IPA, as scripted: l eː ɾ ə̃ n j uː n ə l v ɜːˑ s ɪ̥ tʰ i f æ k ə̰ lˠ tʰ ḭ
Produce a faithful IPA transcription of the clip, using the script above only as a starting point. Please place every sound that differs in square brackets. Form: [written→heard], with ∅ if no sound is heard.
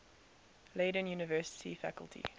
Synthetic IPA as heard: l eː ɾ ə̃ n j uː n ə [l→∅] v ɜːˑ s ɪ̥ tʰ i f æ k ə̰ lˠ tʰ ḭ